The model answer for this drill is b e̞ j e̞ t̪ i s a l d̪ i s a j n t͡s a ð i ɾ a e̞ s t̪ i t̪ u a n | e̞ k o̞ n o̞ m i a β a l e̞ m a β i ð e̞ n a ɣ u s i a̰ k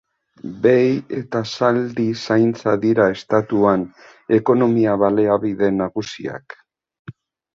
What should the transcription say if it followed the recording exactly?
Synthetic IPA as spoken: b e̞ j e̞ t̪ a s a l d̪ i s a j n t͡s a ð i ɾ a e̞ s t̪ a t̪ u a n | e̞ k o̞ n o̞ m i a β a l e̞ a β i ð e̞ n a ɣ u s i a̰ k